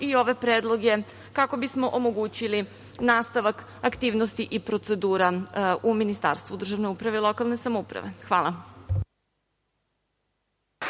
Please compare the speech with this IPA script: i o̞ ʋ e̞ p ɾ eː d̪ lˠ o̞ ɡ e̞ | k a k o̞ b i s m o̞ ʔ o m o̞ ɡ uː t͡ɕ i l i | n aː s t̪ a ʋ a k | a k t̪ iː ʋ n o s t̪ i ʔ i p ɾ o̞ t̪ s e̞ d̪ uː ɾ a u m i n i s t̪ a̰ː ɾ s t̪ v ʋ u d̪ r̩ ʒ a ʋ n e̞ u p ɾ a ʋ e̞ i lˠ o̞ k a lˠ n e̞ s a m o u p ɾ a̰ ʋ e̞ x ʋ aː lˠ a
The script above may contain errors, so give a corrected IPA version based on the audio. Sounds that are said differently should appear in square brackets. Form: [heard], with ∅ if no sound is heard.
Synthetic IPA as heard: i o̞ ʋ e̞ p ɾ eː d̪ lˠ o̞ ɡ e̞ | k a k o̞ b i s m o̞ ʔ o m o̞ ɡ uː t͡ɕ i l i | n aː s t̪ a ʋ a k | a k t̪ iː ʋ n o s t̪ i ʔ i p ɾ o̞ t̪ s e̞ d̪ uː ɾ a u m i n i s t̪ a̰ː ɾ s t̪ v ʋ u d̪ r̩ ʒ a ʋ n e̞ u p ɾ a ʋ e̞ i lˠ o̞ k a lˠ n e̞ s a m o u p ɾ a̰ ʋ e̞ x ʋ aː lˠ a